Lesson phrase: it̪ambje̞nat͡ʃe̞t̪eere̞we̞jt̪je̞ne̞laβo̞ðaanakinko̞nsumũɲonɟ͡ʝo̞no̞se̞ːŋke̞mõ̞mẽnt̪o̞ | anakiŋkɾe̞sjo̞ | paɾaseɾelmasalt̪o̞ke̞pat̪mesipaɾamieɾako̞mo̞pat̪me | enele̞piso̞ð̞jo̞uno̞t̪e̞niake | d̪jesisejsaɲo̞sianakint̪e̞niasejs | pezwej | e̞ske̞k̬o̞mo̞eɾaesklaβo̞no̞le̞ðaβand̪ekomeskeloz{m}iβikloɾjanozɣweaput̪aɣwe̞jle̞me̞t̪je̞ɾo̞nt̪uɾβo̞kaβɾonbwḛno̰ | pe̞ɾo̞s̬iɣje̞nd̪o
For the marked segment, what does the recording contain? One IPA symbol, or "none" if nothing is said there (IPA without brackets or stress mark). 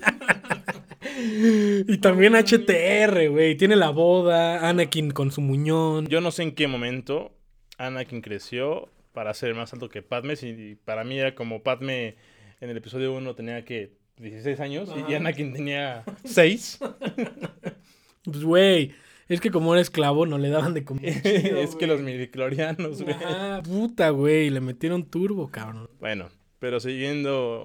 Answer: m